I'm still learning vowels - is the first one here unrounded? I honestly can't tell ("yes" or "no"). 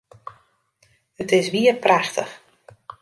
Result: yes